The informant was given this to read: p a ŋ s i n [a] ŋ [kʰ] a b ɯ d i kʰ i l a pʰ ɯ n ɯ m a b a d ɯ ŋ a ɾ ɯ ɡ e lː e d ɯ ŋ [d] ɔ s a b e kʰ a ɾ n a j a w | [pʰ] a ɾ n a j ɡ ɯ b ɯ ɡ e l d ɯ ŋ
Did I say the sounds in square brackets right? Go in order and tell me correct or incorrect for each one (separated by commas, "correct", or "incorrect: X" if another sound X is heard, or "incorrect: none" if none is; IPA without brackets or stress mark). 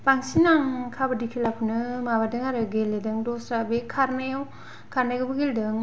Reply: correct, correct, correct, incorrect: kʰ